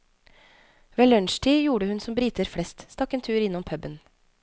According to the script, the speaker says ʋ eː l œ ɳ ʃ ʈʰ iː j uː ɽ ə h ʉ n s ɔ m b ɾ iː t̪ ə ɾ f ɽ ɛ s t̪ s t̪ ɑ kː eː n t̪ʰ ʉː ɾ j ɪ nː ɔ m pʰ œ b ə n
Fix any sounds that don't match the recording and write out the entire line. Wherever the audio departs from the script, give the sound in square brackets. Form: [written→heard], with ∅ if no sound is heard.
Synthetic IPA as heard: ʋ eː l œ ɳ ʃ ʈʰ iː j uː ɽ ə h ʉ n s ɔ m b ɾ iː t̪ ə ɾ f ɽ ɛ s t̪ s t̪ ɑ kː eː n t̪ʰ ʉː ɾ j ɪ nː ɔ m pʰ œ b ə n